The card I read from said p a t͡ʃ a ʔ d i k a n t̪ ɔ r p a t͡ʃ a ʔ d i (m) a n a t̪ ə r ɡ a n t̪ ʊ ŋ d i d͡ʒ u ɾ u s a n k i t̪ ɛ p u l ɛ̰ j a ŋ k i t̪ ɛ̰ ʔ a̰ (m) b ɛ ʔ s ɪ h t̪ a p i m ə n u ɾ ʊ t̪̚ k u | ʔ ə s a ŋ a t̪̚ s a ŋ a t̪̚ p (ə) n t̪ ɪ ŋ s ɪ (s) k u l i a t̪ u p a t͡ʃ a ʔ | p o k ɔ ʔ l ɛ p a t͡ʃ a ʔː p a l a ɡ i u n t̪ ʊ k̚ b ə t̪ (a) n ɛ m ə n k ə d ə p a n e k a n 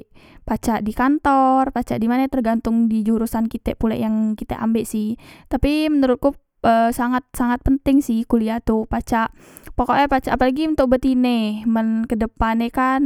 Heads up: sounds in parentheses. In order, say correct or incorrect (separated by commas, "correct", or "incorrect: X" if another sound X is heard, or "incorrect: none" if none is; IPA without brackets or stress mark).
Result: correct, correct, correct, incorrect: h, incorrect: i